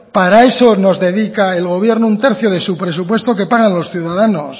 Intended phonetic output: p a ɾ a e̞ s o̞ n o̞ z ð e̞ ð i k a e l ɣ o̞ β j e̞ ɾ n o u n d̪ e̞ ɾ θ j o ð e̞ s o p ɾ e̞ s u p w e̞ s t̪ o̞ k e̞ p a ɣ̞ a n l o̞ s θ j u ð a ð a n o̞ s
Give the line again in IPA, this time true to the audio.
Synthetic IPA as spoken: p a ɾ a e̞ s o̞ n o̞ z ð e̞ ð i k a e l ɣ o̞ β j e̞ ɾ n o u n t̪ e̞ ɾ θ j o ð e̞ s u p ɾ e̞ s u p w e̞ s t̪ o̞ k e̞ p a ɣ̞ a n l o̞ s θ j u ð a ð a n o̞ s